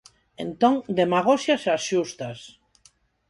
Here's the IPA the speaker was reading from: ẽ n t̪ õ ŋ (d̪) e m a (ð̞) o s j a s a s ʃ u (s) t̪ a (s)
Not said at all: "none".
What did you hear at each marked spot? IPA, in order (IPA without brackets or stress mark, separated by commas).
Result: d̪, ɣ̞, s, s